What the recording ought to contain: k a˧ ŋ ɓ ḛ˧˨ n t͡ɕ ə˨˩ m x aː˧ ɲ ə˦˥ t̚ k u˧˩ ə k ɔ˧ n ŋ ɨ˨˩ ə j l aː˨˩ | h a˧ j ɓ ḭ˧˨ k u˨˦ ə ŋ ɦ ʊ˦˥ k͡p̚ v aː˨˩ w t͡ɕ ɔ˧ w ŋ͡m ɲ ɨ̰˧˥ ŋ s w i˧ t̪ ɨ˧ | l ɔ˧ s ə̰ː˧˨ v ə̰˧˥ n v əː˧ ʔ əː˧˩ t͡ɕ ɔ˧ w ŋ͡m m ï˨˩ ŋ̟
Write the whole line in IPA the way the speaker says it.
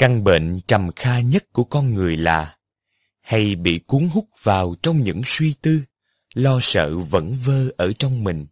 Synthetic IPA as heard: k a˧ ŋ ɓ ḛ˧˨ n t͡ɕ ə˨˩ m x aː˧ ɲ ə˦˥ t̚ k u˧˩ ə k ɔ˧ n ŋ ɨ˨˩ ə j l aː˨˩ | h a˧ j ɓ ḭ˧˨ k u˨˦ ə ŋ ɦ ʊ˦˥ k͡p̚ v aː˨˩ w t͡ɕ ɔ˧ w ŋ͡m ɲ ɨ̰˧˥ ŋ s w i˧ t̪ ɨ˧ | l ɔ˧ s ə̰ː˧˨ v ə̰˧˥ n v əː˧ ʔ əː˧˩ t͡ɕ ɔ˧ w ŋ͡m m ï˨˩ ŋ̟